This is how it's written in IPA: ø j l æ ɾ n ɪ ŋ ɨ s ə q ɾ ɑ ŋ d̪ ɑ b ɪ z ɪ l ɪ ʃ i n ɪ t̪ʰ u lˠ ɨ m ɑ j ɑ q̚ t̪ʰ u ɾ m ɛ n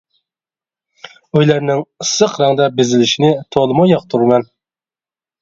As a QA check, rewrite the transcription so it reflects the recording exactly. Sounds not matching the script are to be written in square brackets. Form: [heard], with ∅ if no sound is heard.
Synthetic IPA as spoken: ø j l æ ɾ n ɪ ŋ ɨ s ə q ɾ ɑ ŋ d̪ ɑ b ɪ z ɪ l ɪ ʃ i n ɪ t̪ʰ [o] lˠ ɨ m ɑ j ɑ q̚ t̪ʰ u ɾ m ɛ n